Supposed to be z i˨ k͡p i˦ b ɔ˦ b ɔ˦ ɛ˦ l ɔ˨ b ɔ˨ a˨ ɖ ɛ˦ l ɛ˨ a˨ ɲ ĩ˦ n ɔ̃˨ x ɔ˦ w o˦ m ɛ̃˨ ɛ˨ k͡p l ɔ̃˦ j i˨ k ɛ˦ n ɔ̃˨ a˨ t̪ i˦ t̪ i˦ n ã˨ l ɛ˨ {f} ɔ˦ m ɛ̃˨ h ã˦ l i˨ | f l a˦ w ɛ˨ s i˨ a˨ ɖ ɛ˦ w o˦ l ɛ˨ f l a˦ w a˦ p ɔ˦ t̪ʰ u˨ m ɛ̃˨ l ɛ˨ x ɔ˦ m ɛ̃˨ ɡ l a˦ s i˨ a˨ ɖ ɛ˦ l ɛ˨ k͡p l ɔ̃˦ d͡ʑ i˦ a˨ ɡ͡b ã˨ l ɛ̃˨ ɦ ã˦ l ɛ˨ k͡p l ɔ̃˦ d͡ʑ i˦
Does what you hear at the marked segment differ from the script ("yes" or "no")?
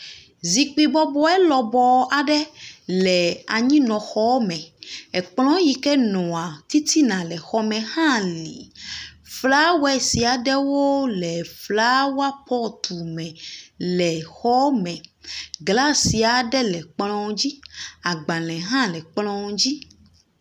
yes